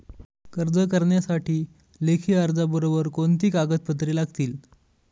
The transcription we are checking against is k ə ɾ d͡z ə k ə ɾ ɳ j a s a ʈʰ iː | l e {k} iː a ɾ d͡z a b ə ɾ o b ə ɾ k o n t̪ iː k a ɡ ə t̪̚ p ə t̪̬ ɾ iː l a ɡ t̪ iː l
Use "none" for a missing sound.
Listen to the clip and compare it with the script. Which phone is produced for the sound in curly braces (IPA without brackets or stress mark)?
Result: kʰ